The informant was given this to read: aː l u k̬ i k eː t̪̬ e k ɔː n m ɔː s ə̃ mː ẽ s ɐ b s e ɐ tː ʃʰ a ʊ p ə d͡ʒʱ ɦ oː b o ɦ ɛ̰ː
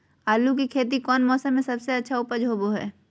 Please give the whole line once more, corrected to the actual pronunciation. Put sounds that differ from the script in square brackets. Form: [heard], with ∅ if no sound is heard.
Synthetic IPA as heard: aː l u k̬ i [kʰ] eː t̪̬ [i] k ɔː n m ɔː s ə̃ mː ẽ s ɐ b s e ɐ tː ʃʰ a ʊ p ə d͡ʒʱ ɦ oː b o ɦ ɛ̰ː

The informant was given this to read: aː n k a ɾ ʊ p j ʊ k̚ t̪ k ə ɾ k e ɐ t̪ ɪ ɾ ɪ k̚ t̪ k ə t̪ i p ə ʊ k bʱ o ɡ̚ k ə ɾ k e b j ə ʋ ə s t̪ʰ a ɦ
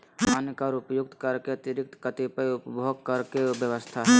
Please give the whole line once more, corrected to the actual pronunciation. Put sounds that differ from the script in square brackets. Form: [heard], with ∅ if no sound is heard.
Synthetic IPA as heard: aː n k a ɾ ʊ p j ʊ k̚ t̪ k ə ɾ k e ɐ t̪ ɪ ɾ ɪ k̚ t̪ k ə t̪ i p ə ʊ [p] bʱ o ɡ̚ k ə ɾ k e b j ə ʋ ə s t̪ʰ a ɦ

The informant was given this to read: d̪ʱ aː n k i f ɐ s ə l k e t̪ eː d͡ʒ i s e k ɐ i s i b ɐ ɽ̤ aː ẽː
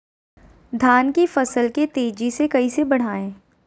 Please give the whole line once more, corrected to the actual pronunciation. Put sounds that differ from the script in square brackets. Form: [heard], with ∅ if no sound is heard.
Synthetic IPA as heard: d̪ʱ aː n k i f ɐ s ə l k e t̪ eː d͡ʒ i s e k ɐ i s [e] b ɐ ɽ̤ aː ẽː

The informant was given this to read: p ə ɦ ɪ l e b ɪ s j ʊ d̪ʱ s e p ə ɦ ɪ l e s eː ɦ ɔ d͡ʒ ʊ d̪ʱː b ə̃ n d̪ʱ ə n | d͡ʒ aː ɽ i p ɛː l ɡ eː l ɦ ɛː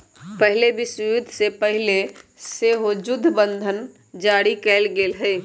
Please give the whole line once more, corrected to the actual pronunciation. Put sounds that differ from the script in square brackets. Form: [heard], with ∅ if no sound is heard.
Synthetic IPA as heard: p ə ɦ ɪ l e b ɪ s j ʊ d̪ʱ s e p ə ɦ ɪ l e s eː ɦ [o] d͡ʒ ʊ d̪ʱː b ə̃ n d̪ʱ ə n | d͡ʒ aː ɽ i [k] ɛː l ɡ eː l ɦ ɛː

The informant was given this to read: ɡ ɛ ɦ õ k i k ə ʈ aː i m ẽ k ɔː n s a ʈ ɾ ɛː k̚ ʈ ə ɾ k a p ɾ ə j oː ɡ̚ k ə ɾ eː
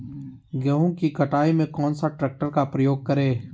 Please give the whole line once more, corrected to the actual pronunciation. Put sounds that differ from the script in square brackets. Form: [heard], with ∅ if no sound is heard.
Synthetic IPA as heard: ɡ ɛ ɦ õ k i k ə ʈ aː i m ẽ k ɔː n s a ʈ ɾ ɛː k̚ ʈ ə ɾ k a p ɾ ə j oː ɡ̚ k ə ɾ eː

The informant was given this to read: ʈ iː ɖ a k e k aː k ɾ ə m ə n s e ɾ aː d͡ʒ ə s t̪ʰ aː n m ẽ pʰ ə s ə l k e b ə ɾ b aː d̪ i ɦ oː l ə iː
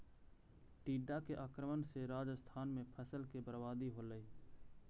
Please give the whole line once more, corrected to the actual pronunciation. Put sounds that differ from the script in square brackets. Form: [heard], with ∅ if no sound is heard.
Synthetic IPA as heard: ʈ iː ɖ a k e [ʔ] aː k ɾ ə m ə n s e ɾ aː d͡ʒ ə s t̪ʰ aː n m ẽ pʰ ə s ə l k e b ə ɾ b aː d̪ i ɦ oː l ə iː

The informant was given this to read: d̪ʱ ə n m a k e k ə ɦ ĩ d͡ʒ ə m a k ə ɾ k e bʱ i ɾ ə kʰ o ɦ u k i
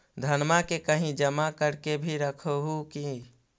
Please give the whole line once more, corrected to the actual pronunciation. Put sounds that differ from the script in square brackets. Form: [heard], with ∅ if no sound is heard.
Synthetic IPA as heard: d̪ʱ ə n m a k e k ə ɦ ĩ d͡ʒ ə m a k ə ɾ k e bʱ i ɾ ə kʰ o ɦ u k i

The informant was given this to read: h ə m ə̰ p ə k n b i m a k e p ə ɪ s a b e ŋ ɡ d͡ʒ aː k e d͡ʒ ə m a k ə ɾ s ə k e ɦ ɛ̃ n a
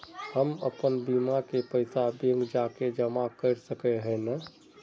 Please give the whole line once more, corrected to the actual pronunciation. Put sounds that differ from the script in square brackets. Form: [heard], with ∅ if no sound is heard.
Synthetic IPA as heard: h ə m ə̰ p ə [∅] n b i m a k e p ə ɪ s a b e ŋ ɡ d͡ʒ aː k e d͡ʒ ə m a k ə ɾ s ə k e ɦ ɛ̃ n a

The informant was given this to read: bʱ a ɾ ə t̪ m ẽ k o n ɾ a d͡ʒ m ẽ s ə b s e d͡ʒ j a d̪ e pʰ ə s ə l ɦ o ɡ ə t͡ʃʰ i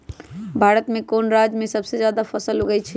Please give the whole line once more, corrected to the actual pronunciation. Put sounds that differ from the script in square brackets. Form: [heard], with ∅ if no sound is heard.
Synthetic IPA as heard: bʱ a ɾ ə t̪ m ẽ k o n ɾ a d͡ʒ m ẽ s ə b s e d͡ʒ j a d̪ [a] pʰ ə s ə l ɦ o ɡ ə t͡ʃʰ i

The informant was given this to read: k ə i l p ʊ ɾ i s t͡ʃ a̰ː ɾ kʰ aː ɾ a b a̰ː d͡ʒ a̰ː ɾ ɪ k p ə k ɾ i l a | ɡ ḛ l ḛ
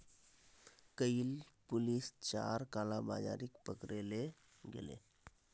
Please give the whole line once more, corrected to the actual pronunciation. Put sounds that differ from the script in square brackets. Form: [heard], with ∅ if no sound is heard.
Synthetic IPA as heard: k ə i l p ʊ [l] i s t͡ʃ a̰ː ɾ [k] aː [l] a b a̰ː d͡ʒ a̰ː ɾ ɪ k p ə k ɾ [e] l [e] | ɡ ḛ l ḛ

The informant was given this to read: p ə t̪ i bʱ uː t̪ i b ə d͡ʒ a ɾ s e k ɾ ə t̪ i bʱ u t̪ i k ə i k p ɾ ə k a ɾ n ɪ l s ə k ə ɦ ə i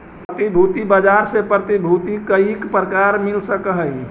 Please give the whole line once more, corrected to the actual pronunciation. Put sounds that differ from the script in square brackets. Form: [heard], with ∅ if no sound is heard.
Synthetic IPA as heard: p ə t̪ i bʱ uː t̪ i b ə d͡ʒ a ɾ s e [p] ɾ ə t̪ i bʱ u t̪ i k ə i k p ɾ ə k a ɾ [m] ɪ l s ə k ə ɦ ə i

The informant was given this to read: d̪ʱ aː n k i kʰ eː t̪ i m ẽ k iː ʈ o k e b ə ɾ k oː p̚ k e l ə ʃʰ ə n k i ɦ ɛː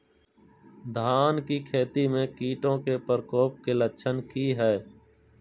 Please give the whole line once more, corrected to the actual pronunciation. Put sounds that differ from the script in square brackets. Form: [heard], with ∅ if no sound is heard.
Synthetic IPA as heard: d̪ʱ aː n k i kʰ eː t̪ i m ẽ k iː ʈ [õ] k e [p] ə ɾ k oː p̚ k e l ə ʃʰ ə n k i ɦ ɛː

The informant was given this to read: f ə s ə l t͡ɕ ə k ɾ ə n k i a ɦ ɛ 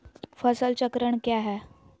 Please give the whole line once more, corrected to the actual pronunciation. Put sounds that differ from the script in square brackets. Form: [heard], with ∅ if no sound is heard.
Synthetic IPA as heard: f ə s ə l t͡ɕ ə k ɾ ə [ɳ] k [j] a ɦ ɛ

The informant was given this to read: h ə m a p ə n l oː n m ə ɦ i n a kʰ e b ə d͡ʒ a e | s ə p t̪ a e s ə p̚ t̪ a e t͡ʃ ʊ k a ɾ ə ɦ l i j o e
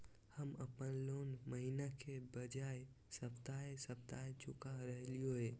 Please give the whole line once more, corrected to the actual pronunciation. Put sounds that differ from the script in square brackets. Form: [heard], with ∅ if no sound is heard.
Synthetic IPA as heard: h ə m [ə] p ə n l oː n m ə ɦ i n a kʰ e b ə d͡ʒ a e | s ə p t̪ a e s ə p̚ t̪ a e t͡ʃ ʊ k a ɾ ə ɦ l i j o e

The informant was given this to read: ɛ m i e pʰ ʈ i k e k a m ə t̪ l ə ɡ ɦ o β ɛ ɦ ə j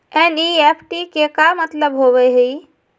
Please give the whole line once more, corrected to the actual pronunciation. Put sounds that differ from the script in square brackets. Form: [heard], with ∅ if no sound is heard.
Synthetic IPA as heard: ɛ [n] i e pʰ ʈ i k e k a m ə t̪ l ə [b] ɦ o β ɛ ɦ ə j

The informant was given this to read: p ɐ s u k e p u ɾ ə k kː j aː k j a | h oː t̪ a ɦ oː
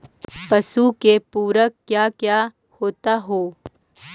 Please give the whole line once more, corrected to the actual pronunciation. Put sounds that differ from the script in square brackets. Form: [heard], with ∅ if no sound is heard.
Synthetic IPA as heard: p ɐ s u k e p [uː] ɾ ə k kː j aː k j a | h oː t̪ a ɦ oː

